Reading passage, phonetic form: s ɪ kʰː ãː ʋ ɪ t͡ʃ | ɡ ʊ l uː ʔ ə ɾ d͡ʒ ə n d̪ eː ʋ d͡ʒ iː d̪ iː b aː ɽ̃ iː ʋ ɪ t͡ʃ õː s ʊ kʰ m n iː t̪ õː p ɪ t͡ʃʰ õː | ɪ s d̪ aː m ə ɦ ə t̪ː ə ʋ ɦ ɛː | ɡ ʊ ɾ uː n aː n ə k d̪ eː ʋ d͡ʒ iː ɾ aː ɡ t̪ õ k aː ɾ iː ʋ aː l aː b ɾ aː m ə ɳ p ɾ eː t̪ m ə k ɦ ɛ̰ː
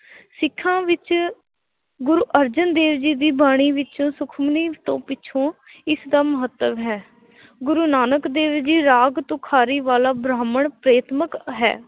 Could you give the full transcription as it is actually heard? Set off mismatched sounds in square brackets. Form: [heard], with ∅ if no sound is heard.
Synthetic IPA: s ɪ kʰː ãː ʋ ɪ t͡ʃ | ɡ ʊ [ɾ] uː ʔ ə ɾ d͡ʒ ə n d̪ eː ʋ d͡ʒ iː d̪ iː b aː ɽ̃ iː ʋ ɪ t͡ʃ õː s ʊ kʰ m n iː t̪ õː p ɪ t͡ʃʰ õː | ɪ s d̪ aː m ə ɦ ə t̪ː ə ʋ ɦ ɛː | ɡ ʊ ɾ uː n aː n ə k d̪ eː ʋ d͡ʒ iː ɾ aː ɡ t̪ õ [kʰ] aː ɾ iː ʋ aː l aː b ɾ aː m ə ɳ p ɾ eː t̪ m ə k ɦ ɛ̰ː